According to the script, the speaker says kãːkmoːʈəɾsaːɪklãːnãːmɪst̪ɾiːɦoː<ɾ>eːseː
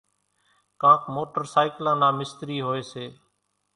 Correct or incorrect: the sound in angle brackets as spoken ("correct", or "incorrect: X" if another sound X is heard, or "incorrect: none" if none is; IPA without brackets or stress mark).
incorrect: none